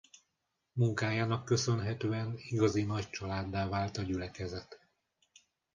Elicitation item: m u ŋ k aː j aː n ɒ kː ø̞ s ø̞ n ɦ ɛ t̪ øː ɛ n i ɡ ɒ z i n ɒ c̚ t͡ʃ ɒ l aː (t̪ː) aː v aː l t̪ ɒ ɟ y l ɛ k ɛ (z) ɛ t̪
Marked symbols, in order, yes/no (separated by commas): no, yes